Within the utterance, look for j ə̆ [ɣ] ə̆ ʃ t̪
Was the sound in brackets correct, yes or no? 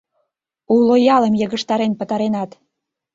yes